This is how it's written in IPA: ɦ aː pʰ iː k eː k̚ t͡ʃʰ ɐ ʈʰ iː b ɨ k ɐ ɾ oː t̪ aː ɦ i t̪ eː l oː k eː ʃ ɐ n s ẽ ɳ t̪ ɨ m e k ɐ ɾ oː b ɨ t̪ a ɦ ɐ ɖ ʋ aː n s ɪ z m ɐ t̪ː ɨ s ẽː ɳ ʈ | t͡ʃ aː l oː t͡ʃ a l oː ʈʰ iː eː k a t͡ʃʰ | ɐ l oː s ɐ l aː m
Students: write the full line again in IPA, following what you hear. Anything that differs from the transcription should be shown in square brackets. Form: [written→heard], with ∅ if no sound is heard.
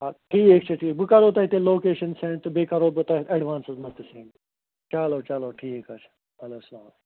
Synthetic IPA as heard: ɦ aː [pʰ→ʈʰ] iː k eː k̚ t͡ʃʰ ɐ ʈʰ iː b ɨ k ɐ ɾ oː t̪ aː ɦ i t̪ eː l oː k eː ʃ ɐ n s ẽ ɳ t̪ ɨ [m→b] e k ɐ ɾ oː b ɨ t̪ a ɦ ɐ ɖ ʋ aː n s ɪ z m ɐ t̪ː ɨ s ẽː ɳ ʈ | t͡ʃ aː l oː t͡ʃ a l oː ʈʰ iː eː k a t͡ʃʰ | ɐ l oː s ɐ l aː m

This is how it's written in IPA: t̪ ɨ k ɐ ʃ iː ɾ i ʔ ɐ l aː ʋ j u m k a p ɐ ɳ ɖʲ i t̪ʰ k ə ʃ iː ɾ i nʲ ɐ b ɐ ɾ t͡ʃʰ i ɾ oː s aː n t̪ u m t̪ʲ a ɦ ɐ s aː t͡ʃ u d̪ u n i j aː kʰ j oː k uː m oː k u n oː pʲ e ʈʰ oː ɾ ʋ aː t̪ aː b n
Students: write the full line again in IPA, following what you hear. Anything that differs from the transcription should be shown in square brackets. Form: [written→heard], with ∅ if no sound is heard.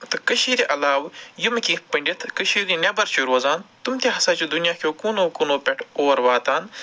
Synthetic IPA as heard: t̪ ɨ k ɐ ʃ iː ɾ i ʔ ɐ l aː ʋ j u m k [a→i] p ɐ ɳ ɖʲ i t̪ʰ k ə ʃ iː ɾ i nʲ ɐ b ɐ ɾ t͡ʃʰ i ɾ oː [s→z] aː n t̪ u m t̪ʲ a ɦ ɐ s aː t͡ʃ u d̪ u n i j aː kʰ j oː k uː [m→n] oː k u n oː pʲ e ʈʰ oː ɾ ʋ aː t̪ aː [b→∅] n

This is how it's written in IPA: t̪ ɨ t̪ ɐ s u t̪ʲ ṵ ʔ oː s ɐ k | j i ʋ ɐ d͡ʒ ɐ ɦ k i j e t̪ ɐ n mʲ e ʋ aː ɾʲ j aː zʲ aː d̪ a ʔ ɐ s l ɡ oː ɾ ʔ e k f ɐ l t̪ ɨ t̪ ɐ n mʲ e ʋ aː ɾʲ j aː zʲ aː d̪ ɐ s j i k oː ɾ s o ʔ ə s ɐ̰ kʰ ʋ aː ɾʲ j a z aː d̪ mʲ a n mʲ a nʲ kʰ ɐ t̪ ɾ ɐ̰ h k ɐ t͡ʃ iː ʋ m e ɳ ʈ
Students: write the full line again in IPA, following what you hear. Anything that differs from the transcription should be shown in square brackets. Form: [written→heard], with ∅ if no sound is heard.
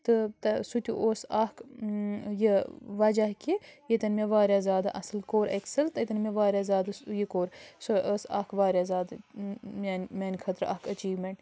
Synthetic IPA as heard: t̪ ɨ t̪ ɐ s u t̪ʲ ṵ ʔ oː s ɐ k | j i ʋ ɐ d͡ʒ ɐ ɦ k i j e t̪ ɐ n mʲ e ʋ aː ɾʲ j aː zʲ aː d̪ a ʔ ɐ s l [ɡ→k] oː ɾ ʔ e k [f→s] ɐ l t̪ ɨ t̪ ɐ n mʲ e ʋ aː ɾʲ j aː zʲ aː d̪ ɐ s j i k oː ɾ s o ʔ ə s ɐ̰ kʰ ʋ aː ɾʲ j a z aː d̪ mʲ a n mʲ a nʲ kʰ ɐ t̪ ɾ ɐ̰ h k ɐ t͡ʃ iː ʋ m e ɳ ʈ

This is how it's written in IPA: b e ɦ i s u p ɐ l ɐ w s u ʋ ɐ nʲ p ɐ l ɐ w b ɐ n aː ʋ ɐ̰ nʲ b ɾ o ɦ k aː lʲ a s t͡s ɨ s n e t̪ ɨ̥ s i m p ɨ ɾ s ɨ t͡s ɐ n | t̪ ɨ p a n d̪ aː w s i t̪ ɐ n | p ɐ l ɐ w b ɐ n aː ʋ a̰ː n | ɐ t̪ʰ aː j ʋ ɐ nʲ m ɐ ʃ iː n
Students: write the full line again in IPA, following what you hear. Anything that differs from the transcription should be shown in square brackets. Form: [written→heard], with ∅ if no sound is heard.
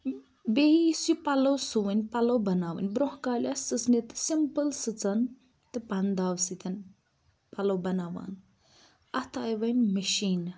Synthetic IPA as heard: b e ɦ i s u p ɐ l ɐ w s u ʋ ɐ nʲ p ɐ l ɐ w b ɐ n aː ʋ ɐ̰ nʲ b ɾ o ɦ k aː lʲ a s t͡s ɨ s n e t̪ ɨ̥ s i m p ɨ [ɾ→l] s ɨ t͡s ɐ n | t̪ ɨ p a n d̪ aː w s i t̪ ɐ n | p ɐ l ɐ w b ɐ n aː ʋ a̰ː n | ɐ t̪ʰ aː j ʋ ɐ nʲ m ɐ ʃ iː n

